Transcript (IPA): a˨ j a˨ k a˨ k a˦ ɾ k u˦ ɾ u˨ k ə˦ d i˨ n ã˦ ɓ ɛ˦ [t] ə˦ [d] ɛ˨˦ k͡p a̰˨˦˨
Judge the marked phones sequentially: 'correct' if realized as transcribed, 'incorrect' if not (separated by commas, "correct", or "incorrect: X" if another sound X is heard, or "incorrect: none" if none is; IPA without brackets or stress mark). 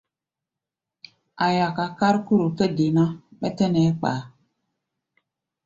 correct, incorrect: n